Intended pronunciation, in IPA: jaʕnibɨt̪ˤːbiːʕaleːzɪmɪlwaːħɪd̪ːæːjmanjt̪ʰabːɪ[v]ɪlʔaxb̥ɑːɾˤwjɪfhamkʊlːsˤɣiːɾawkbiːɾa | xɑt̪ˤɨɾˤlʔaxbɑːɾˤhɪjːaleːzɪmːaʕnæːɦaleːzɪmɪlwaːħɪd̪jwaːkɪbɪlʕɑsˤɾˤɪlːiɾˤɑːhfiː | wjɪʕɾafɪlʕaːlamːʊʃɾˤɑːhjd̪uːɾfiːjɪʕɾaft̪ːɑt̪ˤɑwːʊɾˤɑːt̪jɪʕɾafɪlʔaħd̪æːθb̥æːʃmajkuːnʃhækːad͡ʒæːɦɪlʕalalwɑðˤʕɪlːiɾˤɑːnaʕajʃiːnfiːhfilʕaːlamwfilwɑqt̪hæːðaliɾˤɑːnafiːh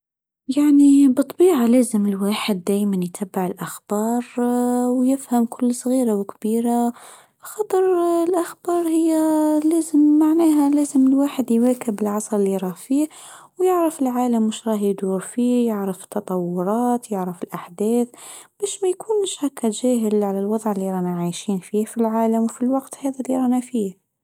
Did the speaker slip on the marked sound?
yes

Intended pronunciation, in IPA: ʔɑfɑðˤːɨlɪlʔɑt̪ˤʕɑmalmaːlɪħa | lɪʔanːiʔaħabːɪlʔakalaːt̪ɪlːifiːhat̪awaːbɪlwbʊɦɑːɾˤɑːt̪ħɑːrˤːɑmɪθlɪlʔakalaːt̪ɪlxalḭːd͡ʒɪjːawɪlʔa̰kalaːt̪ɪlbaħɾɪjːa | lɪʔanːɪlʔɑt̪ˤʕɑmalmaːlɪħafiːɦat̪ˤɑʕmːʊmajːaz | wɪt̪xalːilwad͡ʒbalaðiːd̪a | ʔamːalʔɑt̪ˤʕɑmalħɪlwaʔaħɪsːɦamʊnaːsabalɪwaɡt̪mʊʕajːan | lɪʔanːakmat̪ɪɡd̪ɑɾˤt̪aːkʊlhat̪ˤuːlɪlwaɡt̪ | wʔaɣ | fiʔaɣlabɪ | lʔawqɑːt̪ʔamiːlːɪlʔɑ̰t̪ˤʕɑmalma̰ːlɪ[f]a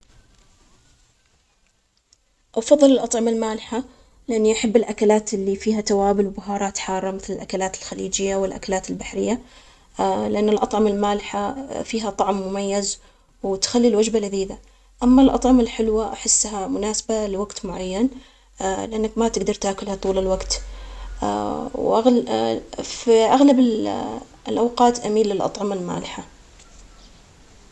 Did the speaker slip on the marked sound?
yes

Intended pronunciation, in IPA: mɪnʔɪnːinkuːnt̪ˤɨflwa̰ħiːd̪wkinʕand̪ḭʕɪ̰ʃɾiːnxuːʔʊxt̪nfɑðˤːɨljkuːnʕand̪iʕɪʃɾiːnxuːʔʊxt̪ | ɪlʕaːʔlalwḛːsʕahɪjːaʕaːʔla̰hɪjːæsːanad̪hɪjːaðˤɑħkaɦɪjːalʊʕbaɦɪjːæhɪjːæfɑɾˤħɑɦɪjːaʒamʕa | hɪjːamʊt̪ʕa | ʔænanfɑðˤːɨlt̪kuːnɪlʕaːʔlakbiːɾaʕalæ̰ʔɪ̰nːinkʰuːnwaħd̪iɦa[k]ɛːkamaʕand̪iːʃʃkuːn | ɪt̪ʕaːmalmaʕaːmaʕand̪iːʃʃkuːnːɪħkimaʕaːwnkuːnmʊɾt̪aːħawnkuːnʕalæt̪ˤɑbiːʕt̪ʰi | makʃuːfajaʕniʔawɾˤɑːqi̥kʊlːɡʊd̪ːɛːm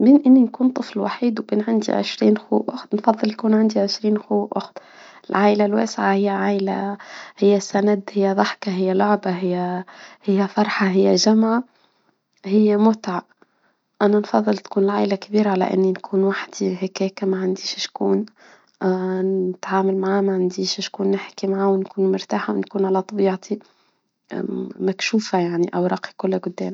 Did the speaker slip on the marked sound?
no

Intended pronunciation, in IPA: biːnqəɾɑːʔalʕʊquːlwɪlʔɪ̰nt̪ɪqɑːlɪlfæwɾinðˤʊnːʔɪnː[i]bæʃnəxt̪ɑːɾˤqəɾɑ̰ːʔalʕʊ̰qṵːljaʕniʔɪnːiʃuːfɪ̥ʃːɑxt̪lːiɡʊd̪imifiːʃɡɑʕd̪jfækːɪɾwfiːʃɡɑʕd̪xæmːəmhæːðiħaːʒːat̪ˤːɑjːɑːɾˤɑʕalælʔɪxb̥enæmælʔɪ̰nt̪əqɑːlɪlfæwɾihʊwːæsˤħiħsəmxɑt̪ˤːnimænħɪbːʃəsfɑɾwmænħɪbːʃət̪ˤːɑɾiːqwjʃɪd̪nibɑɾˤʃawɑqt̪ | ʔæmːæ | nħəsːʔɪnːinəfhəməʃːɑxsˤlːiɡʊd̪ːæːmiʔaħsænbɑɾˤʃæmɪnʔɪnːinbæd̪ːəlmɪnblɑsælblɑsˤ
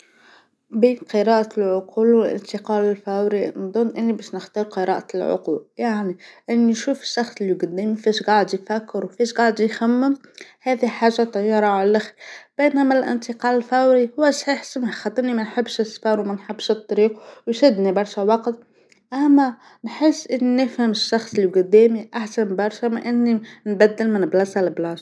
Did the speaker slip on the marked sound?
no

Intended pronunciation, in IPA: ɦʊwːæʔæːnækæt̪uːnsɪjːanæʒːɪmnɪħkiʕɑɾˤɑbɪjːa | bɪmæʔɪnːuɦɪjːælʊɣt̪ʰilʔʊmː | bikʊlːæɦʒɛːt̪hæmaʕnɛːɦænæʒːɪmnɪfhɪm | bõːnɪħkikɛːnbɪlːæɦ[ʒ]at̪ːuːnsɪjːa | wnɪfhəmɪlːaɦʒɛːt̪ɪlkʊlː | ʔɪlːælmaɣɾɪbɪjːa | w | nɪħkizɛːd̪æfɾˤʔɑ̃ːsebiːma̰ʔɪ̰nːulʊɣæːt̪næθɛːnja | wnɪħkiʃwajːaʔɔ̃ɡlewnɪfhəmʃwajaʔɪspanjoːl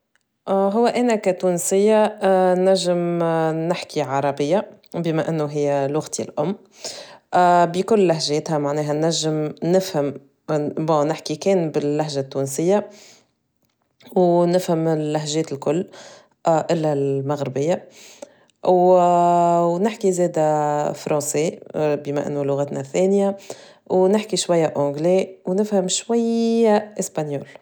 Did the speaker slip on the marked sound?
no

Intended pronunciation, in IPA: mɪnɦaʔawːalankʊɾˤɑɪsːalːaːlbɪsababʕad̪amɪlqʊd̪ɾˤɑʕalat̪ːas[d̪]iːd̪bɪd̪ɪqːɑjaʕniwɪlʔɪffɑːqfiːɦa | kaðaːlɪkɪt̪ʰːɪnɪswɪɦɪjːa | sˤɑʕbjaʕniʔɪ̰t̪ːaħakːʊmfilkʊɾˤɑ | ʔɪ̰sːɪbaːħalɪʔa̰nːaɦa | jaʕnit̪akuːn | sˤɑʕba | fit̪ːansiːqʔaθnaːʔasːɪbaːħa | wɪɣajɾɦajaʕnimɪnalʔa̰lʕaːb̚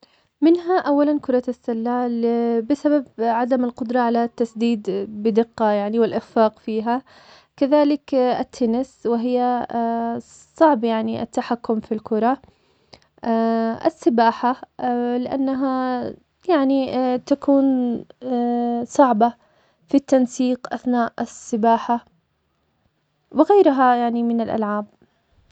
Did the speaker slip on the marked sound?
no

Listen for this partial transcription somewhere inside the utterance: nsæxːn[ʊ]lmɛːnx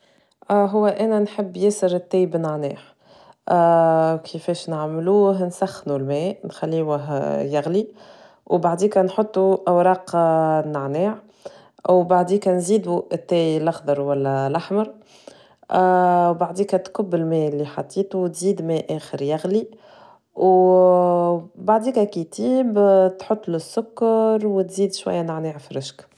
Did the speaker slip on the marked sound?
yes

